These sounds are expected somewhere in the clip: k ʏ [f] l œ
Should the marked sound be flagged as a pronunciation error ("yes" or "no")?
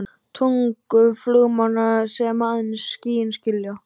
no